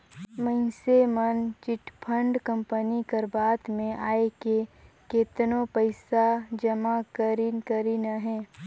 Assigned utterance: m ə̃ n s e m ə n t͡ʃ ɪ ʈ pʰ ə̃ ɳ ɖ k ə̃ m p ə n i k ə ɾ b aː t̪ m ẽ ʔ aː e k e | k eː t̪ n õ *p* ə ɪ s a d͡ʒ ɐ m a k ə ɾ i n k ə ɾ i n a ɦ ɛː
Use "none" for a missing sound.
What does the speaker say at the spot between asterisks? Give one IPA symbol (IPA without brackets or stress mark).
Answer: p